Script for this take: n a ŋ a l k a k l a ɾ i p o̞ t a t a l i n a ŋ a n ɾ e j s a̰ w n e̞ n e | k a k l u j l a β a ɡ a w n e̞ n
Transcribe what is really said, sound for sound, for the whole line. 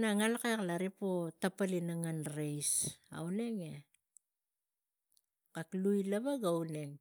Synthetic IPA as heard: n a ŋ a l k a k l a ɾ i p o̞ t a p a l i n a ŋ a n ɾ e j s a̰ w n e̞ ŋ e | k a k l u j l a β a ɡ a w n e̞ ŋ